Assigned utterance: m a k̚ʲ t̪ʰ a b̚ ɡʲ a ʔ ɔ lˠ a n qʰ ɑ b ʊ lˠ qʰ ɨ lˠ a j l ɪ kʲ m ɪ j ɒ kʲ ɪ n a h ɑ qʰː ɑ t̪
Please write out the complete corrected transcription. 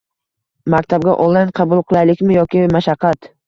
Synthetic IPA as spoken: m a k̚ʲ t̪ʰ a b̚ ɡʲ a ʔ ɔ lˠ a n qʰ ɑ b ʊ lˠ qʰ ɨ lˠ a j l ɪ kʲ m ɪ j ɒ kʲ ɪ m a ʃ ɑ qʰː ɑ t̪